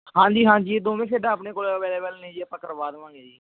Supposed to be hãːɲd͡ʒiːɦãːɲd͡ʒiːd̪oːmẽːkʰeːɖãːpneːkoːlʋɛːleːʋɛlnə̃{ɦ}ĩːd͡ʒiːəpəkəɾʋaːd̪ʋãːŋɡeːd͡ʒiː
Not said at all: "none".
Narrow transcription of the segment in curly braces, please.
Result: none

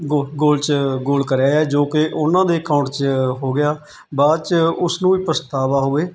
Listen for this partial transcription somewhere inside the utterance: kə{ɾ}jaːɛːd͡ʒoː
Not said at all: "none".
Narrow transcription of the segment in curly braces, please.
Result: ɾ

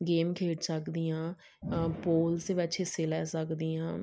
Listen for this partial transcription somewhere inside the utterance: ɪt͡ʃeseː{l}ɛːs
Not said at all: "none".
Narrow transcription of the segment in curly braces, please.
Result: l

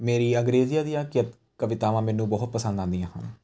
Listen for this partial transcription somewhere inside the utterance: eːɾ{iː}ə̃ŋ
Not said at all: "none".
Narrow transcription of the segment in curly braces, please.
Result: iː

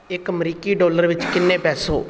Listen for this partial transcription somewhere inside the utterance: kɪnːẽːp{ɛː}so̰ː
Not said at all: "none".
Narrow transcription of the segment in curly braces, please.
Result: ɛː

